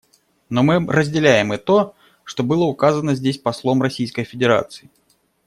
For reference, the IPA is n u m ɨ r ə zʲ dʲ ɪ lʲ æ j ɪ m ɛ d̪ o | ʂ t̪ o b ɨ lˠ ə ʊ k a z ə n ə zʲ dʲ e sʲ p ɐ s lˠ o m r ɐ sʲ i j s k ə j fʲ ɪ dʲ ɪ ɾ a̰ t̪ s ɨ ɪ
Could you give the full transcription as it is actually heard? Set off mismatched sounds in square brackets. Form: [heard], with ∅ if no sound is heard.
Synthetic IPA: n [o] m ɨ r ə zʲ dʲ ɪ lʲ æ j ɪ m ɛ [t̪] o | ʂ t̪ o b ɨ lˠ ə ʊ k a z ə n ə zʲ dʲ e sʲ p ɐ s lˠ o m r ɐ sʲ i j s k ə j fʲ ɪ dʲ ɪ ɾ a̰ t̪ s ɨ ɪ